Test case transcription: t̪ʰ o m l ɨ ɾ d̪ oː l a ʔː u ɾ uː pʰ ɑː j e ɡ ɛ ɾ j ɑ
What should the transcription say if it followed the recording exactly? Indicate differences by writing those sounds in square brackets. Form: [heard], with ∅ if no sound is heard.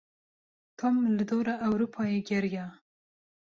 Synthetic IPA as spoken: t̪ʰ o m l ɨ [∅] d̪ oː [ɾ] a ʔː [w] ɾ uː pʰ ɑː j e ɡ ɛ ɾ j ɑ

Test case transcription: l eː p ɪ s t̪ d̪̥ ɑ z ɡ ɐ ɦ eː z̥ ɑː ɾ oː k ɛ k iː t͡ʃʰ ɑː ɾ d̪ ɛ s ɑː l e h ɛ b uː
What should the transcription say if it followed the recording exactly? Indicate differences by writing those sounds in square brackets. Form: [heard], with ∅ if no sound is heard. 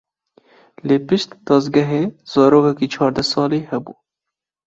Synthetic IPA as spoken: l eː p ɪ [ʃ] t̪ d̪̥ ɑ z ɡ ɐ ɦ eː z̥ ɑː ɾ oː k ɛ k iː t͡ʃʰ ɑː ɾ d̪ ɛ s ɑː l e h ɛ b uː

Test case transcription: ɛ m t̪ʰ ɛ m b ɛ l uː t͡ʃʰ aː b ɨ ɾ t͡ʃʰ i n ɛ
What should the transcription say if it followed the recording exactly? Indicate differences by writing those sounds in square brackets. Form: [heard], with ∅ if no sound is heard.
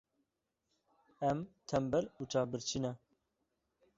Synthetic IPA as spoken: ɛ m t̪ʰ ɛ m b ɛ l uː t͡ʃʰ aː b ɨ ɾ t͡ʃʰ i n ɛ

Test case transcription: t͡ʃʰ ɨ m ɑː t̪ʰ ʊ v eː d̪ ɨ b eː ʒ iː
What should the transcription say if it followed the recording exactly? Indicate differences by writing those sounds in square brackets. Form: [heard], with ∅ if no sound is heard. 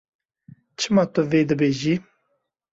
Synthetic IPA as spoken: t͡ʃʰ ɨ m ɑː [t̪] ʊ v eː d̪ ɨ b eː ʒ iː

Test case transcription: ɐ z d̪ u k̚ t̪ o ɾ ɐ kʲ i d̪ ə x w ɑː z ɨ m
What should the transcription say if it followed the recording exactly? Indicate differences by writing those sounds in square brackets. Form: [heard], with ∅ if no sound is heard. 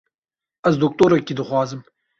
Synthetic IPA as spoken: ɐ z d̪ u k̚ t̪ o ɾ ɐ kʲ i d̪ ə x w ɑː z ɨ m

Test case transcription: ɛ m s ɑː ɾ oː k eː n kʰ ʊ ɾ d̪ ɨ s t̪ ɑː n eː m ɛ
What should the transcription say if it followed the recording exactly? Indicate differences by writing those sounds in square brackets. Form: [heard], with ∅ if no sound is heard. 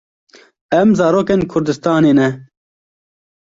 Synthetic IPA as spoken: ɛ m [z] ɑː ɾ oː k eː n kʰ ʊ ɾ d̪ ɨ s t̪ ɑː n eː [n] ɛ

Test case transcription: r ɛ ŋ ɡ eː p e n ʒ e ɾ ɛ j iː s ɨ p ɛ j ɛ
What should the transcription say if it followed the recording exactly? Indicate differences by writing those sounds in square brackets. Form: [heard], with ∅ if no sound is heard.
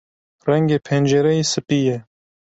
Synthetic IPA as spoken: r ɛ ŋ ɡ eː [pʰ] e n [d͡ʒ] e ɾ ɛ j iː s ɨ p [i] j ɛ

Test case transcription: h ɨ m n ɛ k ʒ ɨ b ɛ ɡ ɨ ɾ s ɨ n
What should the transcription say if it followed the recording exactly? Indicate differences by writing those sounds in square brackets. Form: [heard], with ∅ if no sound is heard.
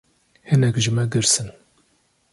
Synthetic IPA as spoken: h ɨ [∅] n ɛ k ʒ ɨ [m] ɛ ɡ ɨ ɾ s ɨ n

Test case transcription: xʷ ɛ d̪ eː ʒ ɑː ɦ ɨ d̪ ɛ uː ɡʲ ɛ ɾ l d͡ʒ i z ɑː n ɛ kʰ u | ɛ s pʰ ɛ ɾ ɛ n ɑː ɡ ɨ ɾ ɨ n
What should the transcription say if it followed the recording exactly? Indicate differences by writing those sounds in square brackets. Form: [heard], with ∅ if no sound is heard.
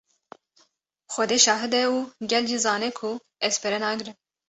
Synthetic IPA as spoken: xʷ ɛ d̪ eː [ʃ] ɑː ɦ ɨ d̪ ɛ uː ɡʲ ɛ [∅] l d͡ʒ i z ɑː n ɛ kʰ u | ɛ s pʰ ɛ ɾ ɛ n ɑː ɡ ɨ ɾ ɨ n

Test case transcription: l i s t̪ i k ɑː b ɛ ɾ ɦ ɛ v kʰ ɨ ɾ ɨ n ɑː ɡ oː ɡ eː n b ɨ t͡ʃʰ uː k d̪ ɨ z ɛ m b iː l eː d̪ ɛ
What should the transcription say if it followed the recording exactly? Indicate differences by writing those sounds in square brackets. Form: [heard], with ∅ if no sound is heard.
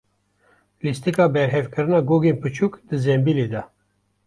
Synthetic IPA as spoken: l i s t̪ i k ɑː b ɛ ɾ ɦ ɛ v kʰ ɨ ɾ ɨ n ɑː ɡ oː ɡ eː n [p] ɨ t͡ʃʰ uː k d̪ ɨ z ɛ m b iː l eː d̪ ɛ

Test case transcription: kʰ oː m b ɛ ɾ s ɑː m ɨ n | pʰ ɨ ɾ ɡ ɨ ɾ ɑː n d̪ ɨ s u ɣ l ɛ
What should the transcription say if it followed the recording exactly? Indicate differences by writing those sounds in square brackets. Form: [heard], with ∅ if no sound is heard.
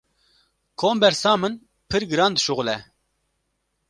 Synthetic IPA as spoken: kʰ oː m b ɛ ɾ s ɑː m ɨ n | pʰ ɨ ɾ ɡ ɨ ɾ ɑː n d̪ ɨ [ʃ] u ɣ l ɛ

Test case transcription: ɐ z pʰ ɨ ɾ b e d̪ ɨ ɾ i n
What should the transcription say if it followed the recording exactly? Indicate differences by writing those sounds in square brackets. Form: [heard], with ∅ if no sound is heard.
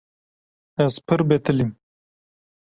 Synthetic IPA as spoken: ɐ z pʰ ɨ ɾ b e [t̪] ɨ [l] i [m]

